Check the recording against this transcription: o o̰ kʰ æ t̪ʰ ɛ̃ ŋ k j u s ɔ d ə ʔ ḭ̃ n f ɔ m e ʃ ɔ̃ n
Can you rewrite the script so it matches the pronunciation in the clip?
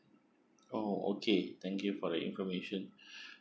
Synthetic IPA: o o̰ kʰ e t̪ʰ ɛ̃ ŋ k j u f ɔ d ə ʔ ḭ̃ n f ɔ m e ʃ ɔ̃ n